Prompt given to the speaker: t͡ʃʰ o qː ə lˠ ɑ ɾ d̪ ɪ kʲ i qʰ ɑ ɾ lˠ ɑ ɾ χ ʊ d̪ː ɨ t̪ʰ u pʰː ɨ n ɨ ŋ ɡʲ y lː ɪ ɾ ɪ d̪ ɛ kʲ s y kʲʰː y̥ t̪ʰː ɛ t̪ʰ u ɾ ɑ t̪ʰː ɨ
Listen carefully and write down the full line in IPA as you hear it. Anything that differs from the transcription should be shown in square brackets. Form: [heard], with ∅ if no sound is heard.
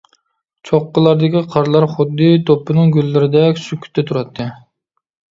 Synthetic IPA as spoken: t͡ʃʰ o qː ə lˠ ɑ ɾ d̪ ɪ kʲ i qʰ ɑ ɾ lˠ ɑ ɾ χ ʊ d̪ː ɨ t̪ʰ [o] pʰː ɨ n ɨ ŋ ɡʲ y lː ɪ ɾ ɪ d̪ ɛ kʲ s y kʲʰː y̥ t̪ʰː ɛ t̪ʰ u ɾ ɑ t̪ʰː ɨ